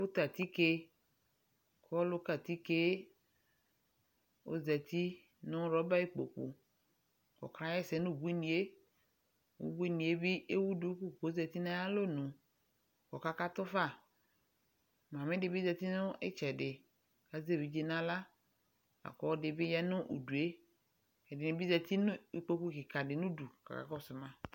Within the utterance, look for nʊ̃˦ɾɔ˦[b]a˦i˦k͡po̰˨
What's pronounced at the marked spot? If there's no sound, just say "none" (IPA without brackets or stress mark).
b